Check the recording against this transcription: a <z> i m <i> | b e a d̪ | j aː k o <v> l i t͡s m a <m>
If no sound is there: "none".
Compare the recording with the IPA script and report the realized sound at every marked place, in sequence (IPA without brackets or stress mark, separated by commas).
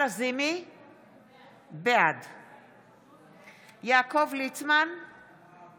z, i, v, n